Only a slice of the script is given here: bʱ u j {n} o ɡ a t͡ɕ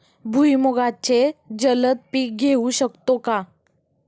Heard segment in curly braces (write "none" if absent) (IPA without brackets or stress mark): m